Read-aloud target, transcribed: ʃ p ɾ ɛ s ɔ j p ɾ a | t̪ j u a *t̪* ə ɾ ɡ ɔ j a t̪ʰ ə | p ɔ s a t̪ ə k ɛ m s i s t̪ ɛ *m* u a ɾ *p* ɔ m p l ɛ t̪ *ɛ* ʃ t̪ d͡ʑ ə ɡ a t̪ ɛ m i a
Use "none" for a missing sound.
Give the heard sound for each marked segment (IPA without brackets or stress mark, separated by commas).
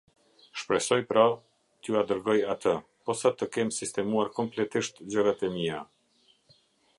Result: d̪, m, k, i